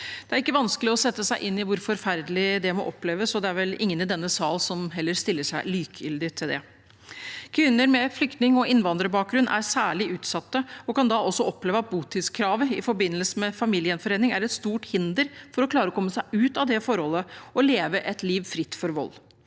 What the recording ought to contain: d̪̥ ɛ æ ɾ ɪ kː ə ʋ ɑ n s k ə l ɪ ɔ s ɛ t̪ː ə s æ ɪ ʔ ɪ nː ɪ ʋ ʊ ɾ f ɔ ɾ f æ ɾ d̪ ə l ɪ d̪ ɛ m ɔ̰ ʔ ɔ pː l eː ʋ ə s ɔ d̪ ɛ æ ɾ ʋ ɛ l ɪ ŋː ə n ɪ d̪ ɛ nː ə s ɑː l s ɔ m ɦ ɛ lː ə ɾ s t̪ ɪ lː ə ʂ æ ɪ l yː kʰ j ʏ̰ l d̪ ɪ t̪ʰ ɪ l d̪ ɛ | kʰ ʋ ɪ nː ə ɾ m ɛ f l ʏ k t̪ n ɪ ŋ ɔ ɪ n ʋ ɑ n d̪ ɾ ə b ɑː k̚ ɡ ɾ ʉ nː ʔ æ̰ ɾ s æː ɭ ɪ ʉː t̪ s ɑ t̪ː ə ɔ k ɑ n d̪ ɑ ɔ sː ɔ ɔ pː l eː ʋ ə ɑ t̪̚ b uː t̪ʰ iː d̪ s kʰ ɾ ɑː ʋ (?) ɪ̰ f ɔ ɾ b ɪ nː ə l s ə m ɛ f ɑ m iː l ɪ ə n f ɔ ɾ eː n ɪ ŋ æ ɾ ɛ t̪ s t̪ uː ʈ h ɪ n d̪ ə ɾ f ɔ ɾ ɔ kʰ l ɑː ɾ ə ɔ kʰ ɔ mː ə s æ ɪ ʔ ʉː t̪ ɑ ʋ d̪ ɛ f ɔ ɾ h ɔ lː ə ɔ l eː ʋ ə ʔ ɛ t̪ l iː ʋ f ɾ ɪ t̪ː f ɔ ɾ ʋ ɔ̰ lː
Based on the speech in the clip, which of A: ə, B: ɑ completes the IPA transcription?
A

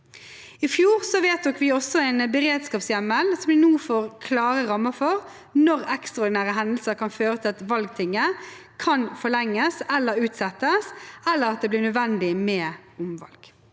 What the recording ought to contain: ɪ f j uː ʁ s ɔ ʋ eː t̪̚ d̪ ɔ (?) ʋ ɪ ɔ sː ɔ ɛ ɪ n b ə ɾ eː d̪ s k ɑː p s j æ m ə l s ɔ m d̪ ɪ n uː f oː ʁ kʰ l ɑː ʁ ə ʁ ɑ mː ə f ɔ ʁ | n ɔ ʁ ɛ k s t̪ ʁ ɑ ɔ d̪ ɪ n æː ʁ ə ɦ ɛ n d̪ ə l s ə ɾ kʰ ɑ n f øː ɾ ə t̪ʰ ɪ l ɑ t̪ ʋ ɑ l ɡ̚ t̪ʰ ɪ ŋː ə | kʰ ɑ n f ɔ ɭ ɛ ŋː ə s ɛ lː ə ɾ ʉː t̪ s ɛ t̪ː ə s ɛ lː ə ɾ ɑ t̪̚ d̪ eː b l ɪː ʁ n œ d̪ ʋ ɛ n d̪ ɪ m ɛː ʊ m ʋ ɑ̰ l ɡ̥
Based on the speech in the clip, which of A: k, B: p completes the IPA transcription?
A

